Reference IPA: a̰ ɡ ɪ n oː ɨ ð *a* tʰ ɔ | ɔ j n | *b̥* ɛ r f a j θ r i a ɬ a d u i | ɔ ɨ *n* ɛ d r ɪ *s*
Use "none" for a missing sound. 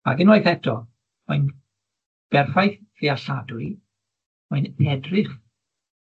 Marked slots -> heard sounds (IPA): ɛ, b̥, n, χ

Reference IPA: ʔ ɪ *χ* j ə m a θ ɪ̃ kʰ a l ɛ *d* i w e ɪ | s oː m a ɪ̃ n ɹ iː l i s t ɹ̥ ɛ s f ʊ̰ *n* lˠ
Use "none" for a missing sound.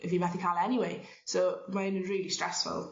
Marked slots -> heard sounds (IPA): f, n, none

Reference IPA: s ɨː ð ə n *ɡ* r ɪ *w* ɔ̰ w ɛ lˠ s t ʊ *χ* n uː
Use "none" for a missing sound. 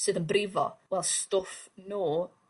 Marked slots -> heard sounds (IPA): b, v, f

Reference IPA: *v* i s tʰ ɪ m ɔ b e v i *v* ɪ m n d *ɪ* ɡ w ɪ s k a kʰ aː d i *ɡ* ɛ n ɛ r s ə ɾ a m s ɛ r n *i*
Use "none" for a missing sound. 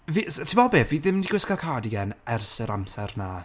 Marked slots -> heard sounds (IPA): v, ð, i, ɡ, a

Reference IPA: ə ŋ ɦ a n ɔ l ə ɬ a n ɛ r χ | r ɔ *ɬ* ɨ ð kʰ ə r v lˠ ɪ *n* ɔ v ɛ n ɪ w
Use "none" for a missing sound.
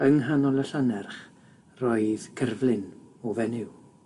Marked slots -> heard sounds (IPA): none, n

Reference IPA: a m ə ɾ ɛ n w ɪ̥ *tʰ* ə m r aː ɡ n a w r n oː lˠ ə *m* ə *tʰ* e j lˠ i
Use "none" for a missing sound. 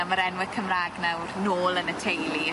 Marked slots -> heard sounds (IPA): kʰ, n, tʰ

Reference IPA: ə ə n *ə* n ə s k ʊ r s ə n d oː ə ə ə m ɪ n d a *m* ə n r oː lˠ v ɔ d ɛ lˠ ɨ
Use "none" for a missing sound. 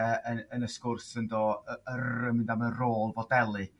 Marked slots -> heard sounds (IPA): ə, m

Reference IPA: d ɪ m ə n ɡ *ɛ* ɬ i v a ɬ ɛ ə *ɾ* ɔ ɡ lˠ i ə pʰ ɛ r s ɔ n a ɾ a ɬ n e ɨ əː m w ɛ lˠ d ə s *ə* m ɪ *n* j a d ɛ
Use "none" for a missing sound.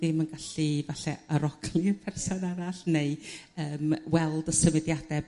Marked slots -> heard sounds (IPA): a, ɾ, ə, d

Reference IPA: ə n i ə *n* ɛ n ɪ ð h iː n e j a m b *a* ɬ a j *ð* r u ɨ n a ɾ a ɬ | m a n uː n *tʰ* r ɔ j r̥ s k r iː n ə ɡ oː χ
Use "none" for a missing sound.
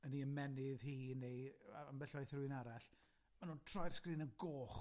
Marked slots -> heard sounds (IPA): m, ɛ, θ, tʰ

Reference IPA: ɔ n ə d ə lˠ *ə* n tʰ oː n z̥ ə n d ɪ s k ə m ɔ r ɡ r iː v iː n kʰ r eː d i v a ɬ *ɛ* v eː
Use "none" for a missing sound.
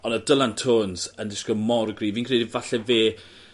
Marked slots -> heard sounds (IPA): a, ɛ

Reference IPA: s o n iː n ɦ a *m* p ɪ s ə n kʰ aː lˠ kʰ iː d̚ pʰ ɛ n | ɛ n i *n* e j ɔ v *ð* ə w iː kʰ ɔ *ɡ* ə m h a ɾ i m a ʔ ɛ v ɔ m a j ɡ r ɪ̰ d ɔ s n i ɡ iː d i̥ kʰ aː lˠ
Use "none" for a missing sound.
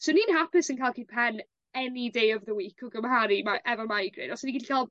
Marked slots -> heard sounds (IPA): none, d, ð, ɡ

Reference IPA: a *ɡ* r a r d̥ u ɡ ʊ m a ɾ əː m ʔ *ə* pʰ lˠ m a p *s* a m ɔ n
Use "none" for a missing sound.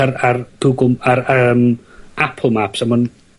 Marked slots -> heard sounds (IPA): none, a, s

